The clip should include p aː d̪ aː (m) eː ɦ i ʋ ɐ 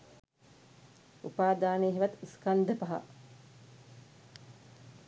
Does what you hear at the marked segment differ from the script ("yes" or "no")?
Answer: yes